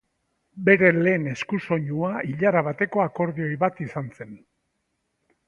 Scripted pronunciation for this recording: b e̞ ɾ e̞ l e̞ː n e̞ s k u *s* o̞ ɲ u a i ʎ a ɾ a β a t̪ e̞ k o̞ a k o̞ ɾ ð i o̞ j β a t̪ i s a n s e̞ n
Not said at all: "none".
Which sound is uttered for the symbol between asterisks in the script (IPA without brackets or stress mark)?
s